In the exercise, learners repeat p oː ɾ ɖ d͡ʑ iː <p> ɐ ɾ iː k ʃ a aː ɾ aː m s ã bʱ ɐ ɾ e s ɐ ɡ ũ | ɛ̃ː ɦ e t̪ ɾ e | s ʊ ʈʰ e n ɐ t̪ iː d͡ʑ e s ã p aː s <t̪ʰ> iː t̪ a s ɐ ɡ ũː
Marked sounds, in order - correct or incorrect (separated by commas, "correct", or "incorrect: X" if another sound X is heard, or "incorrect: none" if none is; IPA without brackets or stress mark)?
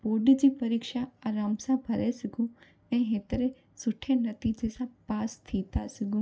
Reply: correct, correct